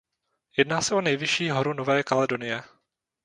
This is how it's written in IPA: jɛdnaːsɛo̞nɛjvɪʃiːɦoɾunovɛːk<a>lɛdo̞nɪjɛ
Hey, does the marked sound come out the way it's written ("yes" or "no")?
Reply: yes